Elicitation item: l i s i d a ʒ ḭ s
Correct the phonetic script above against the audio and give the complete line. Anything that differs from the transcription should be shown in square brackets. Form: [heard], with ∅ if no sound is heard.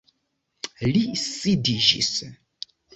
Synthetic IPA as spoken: l i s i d [i] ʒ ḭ s